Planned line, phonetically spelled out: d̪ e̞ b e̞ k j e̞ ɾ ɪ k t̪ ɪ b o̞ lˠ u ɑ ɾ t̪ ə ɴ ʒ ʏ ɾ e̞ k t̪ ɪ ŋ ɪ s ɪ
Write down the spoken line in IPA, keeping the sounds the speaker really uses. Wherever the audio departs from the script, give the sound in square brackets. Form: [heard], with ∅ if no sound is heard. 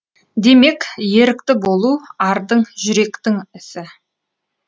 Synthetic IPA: d̪ e̞ [m] e̞ k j e̞ ɾ ɪ k t̪ ɪ b o̞ lˠ u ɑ ɾ [d̪] ə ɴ ʒ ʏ ɾ e̞ k t̪ ɪ ŋ ɪ s ɪ